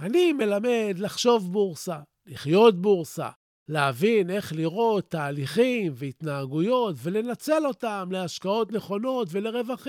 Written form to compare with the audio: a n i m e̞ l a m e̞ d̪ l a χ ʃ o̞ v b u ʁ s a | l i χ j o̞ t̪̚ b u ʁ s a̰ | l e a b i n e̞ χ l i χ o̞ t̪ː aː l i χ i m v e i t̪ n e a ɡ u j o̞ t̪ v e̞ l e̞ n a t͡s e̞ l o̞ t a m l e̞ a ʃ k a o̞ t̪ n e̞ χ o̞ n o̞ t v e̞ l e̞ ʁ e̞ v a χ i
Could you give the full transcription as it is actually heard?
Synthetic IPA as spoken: a n i m e̞ l a m e̞ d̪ l a χ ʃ o̞ v b u ʁ s a | l i χ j o̞ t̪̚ b u ʁ s a̰ | l e a v i n e̞ χ l i ʁ o̞ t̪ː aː l i χ i m v e i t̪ n a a ɡ u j o̞ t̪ v e̞ l e̞ n a t͡s e̞ l o̞ t a m l e̞ a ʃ k a o̞ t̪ n e̞ χ o̞ n o̞ t v e̞ l e̞ ʁ e̞ v a χ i